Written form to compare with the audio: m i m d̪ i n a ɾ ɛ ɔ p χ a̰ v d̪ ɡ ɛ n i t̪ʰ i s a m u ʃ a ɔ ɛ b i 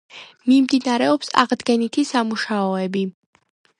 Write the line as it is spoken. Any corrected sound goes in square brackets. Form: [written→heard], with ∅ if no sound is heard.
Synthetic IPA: m i m d̪ i n a ɾ ɛ ɔ p [χ→s] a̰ [v→ʁ] d̪ ɡ ɛ n i t̪ʰ i s a m u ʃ a ɔ ɛ b i

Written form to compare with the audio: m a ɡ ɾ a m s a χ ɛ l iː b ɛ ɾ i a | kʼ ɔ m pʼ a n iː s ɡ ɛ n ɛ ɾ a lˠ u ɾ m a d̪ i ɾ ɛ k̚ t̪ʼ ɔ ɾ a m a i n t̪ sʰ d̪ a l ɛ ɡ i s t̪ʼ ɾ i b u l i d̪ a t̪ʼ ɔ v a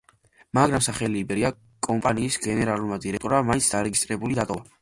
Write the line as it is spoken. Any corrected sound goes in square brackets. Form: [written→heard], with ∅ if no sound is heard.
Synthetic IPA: m a ɡ ɾ a m s a χ ɛ l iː b ɛ ɾ i a | kʼ ɔ m pʼ a n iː s ɡ ɛ n ɛ ɾ a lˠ u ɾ m a d̪ i ɾ ɛ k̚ t̪ʼ ɔ ɾ a m a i n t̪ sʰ d̪ a [l→ɾ] ɛ ɡ i s t̪ʼ ɾ [i→ɛ] b u l i d̪ a t̪ʼ ɔ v a

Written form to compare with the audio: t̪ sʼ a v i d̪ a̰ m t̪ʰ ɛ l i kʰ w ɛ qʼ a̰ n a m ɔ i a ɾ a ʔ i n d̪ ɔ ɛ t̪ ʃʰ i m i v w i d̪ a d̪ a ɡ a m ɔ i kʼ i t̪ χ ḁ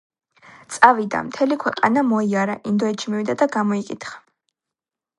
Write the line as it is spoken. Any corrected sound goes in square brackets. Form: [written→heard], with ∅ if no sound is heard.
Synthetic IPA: t̪ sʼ a v i d̪ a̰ m t̪ʰ ɛ l i kʰ w ɛ qʼ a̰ n a m ɔ i a ɾ a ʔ i n d̪ ɔ ɛ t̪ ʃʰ i m i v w i d̪ a d̪ a ɡ a m ɔ i kʼ i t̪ χ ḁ

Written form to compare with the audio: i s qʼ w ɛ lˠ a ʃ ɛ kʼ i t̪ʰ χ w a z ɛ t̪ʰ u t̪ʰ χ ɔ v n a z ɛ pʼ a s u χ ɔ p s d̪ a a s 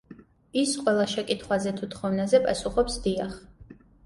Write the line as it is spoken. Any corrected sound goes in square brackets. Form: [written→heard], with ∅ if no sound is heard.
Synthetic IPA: i s qʼ w ɛ lˠ a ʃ ɛ kʼ i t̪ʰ χ w a z ɛ t̪ʰ u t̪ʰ χ ɔ v n a z ɛ pʼ a s u χ ɔ p s d̪ [a→i] a [s→χ]

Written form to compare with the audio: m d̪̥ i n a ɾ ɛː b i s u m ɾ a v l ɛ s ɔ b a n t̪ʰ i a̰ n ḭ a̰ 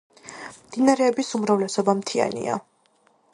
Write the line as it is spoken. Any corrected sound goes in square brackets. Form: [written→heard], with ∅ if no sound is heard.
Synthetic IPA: m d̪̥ i n a ɾ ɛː b i s u m ɾ a v l ɛ s ɔ b a [n→m] t̪ʰ i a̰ n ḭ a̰

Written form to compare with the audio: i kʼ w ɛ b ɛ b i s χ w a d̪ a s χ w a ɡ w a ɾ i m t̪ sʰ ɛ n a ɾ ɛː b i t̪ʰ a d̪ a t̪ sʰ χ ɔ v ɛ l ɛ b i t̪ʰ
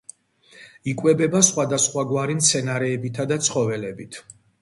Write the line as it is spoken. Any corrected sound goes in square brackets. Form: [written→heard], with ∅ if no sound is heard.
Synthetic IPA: i kʼ w ɛ b ɛ b [i→a] s χ w a d̪ a s χ w a ɡ w a ɾ i m t̪ sʰ ɛ n a ɾ ɛː b i t̪ʰ a d̪ a t̪ sʰ χ ɔ v ɛ l ɛ b i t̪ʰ

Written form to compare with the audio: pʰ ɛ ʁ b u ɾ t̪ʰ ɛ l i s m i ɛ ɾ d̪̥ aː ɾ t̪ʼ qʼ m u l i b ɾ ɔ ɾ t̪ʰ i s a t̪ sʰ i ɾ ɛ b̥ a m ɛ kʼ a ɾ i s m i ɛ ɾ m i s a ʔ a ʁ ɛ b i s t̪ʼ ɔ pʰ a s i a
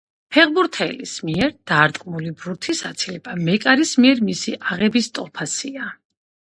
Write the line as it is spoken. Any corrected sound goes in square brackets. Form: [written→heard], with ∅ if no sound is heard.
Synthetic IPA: pʰ ɛ ʁ b u ɾ t̪ʰ ɛ l i s m i ɛ ɾ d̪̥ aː ɾ t̪ʼ qʼ m u l i b ɾ [ɔ→u] ɾ t̪ʰ i s a t̪ sʰ i [ɾ→l] ɛ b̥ a m ɛ kʼ a ɾ i s m i ɛ ɾ m i s [a→i] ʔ a ʁ ɛ b i s t̪ʼ ɔ pʰ a s i a

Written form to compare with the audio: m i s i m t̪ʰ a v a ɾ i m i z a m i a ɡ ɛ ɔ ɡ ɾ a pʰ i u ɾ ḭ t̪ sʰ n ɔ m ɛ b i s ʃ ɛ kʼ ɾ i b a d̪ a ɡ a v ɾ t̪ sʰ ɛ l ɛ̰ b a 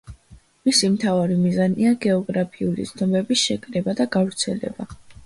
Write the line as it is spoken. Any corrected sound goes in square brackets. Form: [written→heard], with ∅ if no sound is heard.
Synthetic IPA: m i s i m t̪ʰ a v a ɾ i m i z a [m→n] i a ɡ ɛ ɔ ɡ ɾ a pʰ i u [ɾ→l] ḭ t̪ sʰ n ɔ m ɛ b i s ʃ ɛ kʼ ɾ [i→ɛ] b a d̪ a ɡ a v ɾ t̪ sʰ ɛ l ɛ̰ b a

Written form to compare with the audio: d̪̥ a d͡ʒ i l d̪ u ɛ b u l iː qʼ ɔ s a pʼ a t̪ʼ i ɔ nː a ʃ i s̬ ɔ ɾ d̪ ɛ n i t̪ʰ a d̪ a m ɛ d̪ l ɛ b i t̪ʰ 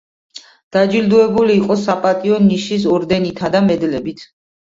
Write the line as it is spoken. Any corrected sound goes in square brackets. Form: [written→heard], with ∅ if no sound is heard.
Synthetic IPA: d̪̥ a d͡ʒ i l d̪ u ɛ b u l iː qʼ ɔ s a pʼ a t̪ʼ i ɔ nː [a→i] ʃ i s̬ ɔ ɾ d̪ ɛ n i t̪ʰ a d̪ a m ɛ d̪ l ɛ b i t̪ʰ

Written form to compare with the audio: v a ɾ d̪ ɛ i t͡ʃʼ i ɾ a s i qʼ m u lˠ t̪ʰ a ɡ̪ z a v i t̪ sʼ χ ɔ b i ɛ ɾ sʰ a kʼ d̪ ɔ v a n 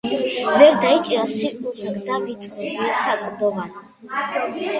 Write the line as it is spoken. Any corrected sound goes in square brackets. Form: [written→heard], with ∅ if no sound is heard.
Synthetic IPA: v [a→ɛ] ɾ d̪ [ɛ→a] i t͡ʃʼ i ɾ a s i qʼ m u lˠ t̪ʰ a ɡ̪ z a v i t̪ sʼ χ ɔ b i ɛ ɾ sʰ a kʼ d̪ ɔ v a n

